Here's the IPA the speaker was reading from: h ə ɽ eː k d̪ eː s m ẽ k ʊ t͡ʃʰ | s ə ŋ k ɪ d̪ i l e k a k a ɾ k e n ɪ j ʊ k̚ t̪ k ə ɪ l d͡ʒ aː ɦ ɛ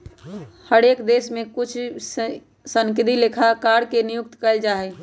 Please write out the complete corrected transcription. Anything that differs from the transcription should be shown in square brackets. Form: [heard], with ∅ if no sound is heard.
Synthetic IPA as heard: h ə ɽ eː k d̪ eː s m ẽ k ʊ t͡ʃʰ | s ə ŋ k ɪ d̪ i l e [kʰ] a k a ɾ k e n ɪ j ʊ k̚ t̪ k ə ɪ l d͡ʒ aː ɦ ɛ